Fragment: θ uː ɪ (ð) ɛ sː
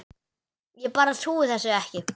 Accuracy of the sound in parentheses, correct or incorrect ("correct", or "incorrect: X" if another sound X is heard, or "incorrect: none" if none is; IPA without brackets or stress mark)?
incorrect: θ